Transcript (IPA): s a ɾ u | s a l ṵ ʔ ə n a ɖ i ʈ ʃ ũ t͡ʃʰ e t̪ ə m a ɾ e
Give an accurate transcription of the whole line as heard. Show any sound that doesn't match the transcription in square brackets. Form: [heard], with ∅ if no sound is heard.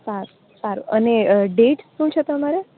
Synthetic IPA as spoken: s a ɾ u | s a [ɾ] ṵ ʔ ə n [e] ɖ [e] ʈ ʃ ũ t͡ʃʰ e t̪ ə m a ɾ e